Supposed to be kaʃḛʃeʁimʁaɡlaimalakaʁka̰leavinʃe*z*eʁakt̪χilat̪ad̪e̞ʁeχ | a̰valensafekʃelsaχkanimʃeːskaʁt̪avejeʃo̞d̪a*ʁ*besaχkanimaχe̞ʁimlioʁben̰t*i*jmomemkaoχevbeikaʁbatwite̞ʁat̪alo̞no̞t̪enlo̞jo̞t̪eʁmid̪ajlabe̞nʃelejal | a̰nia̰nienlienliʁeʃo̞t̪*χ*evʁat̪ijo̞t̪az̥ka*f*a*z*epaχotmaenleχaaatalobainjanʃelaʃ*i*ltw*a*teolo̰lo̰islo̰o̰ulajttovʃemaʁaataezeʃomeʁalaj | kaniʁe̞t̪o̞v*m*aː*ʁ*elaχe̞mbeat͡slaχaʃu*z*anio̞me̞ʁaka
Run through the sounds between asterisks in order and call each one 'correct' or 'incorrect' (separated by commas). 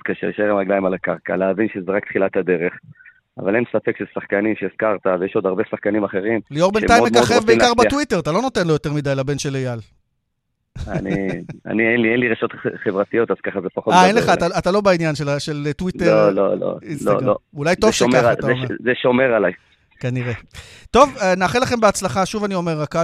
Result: correct, correct, incorrect, correct, incorrect, correct, incorrect, incorrect, incorrect, incorrect, incorrect